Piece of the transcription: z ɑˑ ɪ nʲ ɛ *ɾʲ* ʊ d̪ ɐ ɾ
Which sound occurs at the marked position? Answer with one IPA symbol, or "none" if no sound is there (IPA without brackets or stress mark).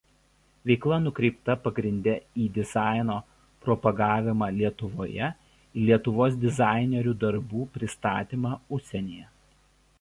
ɾʲ